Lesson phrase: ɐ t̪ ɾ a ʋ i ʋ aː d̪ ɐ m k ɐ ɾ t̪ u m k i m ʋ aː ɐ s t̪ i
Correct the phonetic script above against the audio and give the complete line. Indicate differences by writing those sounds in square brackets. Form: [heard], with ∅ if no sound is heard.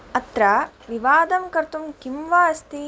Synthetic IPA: ɐ t̪ ɾ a ʋ i ʋ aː d̪ ɐ m k ɐ ɾ t̪ u m k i m ʋ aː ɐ s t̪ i